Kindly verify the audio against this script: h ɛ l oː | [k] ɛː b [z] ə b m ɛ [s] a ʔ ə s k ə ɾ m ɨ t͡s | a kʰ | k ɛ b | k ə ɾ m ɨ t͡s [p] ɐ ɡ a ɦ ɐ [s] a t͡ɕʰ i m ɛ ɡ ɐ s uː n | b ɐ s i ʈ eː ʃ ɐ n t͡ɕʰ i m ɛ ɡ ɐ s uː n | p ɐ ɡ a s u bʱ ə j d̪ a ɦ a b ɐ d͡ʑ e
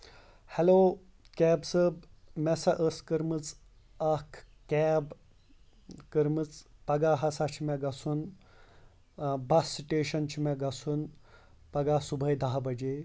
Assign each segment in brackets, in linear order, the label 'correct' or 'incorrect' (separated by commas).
correct, incorrect, correct, correct, correct